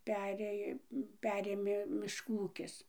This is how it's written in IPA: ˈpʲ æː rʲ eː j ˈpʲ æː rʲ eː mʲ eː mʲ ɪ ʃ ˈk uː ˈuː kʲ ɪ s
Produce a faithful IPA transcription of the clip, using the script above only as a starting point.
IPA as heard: ˈpʲ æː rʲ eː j ˈpʲ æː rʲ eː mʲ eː mʲ ɪ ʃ ˈk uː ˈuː kʲ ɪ s